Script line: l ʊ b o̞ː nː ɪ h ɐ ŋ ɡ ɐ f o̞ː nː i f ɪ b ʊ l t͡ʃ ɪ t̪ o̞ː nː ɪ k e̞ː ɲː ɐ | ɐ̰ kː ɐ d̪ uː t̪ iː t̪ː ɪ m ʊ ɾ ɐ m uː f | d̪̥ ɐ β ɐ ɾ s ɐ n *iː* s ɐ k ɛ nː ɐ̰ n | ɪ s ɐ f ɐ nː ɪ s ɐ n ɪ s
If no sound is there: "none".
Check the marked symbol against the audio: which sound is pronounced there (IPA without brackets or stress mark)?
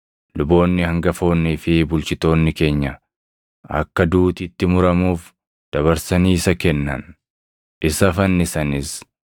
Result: iː